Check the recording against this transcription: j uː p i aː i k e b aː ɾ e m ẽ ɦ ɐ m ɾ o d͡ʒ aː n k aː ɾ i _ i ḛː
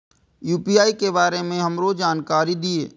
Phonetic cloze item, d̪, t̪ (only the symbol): d̪